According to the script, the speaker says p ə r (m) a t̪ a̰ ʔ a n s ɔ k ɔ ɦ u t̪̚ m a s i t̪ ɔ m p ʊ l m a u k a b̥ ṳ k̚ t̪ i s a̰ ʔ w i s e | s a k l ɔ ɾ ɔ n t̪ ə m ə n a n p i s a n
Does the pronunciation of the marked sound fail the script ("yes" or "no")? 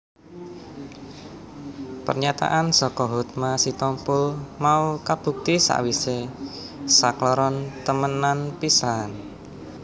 yes